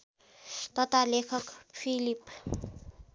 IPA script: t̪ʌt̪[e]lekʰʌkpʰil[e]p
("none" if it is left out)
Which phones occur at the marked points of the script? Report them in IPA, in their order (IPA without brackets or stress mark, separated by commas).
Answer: a, i